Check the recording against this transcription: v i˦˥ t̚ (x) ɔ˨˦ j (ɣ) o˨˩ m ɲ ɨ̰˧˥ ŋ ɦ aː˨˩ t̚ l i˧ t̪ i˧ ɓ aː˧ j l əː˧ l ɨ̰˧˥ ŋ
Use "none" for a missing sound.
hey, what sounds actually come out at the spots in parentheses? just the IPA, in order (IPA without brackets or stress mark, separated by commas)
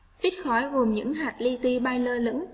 x, ɣ